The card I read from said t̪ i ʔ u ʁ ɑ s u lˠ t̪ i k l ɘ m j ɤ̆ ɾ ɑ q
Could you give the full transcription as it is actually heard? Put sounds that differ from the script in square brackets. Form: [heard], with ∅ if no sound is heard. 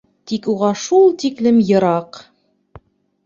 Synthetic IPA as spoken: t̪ i [k] u ʁ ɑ [ʃ] u lˠ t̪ i k l ɘ m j ɤ̆ ɾ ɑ q